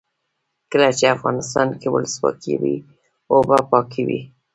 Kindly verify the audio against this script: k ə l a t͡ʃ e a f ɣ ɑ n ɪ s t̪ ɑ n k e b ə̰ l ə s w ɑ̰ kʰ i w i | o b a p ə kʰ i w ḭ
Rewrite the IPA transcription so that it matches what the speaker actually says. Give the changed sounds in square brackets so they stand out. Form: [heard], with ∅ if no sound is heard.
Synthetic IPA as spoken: k ə l a t͡ʃ e a f ɣ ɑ n ɪ s t̪ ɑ n k e [w] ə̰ l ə s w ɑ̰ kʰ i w i | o b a p [ɑ] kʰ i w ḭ

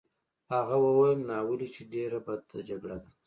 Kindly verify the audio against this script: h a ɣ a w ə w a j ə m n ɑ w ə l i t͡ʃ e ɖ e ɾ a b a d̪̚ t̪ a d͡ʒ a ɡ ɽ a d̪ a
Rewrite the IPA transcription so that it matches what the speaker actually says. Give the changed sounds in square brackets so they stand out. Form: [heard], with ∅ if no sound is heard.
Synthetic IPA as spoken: h a ɣ a w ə w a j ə m n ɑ w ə l i t͡ʃ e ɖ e ɾ a b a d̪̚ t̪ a d͡ʒ a ɡ ɽ a d̪ a

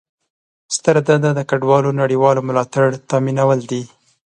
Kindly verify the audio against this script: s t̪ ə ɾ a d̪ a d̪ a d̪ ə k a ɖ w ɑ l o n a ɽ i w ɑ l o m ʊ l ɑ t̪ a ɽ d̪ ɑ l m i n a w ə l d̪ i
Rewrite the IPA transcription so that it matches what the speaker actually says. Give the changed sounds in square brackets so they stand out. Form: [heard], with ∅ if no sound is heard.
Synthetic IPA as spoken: s t̪ ə ɾ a d̪ a d̪ a d̪ ə k a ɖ w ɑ l o n a ɽ i w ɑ l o m ʊ l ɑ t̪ a ɽ [t̪] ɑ [∅] m i n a w ə l d̪ i

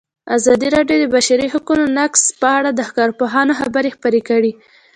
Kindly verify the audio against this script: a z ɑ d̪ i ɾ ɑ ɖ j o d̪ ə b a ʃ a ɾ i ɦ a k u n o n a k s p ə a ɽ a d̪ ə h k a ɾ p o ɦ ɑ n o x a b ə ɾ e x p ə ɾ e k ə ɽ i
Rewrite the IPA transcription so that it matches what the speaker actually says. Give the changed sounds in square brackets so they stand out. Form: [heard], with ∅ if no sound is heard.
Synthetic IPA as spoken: a z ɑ d̪ i ɾ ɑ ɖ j o d̪ ə b a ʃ a ɾ i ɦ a k u n o n a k s p ə a ɽ a d̪ ə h k [ɑ] ɾ p o ɦ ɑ n o x a b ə ɾ e x p ə ɾ e k ə ɽ i

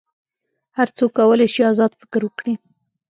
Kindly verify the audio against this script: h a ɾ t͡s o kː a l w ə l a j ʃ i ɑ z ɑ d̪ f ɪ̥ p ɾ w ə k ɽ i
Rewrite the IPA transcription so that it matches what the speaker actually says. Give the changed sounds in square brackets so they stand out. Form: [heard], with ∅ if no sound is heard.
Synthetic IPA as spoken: h a ɾ t͡s o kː a [∅] w ə l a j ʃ i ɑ z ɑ d̪ f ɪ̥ [k] ɾ w ə k ɽ i

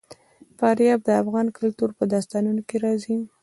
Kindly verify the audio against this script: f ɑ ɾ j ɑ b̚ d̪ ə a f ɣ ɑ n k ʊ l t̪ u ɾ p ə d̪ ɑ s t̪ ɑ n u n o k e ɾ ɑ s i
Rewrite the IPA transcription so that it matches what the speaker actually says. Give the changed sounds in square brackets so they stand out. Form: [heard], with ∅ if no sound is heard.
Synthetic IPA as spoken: f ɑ ɾ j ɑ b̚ d̪ ə a f ɣ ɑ n k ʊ l t̪ u ɾ p ə d̪ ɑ s t̪ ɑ n u n o k e ɾ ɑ [z] i

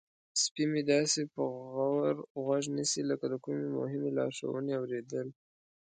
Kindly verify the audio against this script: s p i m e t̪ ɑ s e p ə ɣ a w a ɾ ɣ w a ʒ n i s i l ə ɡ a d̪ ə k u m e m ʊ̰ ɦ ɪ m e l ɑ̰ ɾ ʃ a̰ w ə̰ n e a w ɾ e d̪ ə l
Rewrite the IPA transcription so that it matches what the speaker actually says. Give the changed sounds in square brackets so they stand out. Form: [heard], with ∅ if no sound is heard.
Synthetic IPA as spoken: s p i m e [d̪] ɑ s e p ə ɣ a w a ɾ ɣ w a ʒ n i s i l ə [k] a d̪ ə k u m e m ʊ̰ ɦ ɪ m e l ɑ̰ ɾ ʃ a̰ w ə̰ n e a w ɾ e d̪ ə l

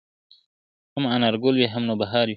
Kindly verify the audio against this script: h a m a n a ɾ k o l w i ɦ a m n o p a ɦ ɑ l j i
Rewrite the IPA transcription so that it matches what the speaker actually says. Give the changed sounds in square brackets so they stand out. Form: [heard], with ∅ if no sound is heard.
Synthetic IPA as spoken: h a m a n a ɾ [ɡ] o l w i ɦ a m n o [b] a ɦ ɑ [ɾ] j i

